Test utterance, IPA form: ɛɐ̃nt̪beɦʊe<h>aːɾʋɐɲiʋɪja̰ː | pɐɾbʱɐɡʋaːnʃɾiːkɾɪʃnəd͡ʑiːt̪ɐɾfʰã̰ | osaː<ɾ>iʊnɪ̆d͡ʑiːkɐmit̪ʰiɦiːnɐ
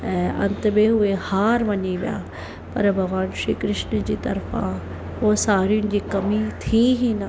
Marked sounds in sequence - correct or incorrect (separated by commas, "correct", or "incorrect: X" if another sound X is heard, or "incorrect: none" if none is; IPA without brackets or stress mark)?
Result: correct, correct